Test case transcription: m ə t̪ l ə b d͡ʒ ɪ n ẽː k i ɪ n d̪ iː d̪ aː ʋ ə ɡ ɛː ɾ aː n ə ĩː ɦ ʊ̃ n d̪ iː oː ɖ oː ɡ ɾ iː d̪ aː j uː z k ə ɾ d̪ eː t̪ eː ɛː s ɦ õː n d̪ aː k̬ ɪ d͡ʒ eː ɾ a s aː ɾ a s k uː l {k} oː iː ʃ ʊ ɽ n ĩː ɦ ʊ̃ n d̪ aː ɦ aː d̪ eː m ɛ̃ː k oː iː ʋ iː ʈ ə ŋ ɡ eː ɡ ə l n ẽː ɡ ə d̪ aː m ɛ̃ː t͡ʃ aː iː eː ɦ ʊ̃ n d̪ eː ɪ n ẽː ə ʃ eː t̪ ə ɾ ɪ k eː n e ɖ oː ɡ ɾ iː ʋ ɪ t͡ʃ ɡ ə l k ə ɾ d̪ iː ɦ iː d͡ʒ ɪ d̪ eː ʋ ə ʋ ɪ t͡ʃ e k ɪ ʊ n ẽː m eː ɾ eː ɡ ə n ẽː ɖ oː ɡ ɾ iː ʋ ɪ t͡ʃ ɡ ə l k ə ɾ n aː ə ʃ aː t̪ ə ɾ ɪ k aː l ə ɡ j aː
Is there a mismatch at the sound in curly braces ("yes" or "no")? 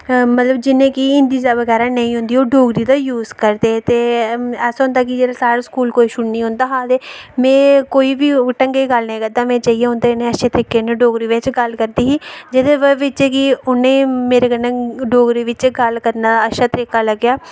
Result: no